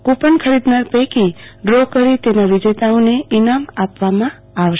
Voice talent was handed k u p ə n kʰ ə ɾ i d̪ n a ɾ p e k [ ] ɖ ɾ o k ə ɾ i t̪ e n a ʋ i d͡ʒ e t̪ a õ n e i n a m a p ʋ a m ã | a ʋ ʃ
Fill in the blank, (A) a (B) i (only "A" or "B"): B